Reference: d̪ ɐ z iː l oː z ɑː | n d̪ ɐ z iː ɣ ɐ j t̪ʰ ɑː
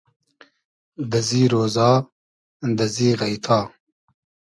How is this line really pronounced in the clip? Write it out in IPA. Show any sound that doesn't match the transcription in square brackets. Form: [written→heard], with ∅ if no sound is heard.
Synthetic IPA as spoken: d̪ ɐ z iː [l→ɾ] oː z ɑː | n d̪ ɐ z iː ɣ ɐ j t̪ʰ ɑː